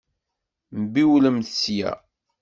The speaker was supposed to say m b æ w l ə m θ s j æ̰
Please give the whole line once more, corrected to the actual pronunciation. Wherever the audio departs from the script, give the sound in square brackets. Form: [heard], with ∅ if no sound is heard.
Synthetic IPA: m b [i] w l ə m θ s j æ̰